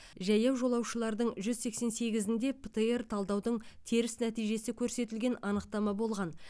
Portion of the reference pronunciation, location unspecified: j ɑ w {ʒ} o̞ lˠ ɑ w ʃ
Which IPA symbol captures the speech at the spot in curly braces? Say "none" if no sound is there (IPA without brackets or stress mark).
ʒ